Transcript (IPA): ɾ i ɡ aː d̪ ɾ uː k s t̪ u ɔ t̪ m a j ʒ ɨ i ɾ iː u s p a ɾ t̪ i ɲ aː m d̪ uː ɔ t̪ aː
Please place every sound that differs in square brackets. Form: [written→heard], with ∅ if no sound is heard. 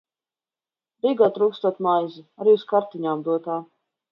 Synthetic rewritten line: ɾ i ɡ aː [d̪→t̪] ɾ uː k s t̪ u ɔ t̪ m a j [ʒ→z] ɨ [i→a] ɾ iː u s [p→k] a ɾ t̪ i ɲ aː m d̪ [uː→u] ɔ t̪ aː